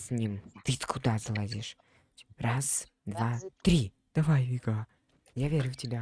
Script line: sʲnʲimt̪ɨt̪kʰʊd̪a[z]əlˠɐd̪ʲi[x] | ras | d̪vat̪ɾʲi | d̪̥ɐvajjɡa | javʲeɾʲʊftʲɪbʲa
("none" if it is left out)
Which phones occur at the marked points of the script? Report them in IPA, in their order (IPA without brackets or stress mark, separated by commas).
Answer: z, ʂ